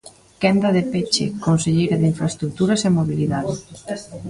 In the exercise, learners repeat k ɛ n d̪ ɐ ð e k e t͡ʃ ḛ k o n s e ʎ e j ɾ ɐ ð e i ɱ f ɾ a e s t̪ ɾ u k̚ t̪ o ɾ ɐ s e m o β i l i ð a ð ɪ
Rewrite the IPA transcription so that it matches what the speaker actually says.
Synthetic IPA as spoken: k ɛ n d̪ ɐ ð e p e t͡ʃ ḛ k o n s e ʎ e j ɾ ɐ ð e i ɱ f ɾ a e s t̪ ɾ u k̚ t̪ u ɾ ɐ s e m o β i l i ð a ð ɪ